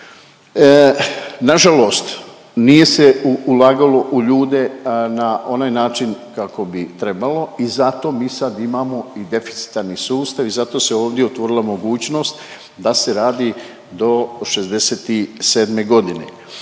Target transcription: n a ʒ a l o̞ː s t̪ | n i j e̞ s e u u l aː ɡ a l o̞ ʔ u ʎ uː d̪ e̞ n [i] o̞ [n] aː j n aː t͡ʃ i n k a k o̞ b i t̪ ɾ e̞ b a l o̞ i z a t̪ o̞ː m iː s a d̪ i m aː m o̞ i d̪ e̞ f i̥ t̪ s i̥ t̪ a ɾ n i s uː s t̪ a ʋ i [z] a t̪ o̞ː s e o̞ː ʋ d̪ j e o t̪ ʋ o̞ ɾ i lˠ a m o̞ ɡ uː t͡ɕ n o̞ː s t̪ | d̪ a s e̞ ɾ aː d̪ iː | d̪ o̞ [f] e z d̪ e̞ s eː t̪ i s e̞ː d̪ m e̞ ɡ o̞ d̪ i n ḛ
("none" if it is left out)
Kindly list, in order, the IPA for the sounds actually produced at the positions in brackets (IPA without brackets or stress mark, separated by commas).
a, n, z, ʃ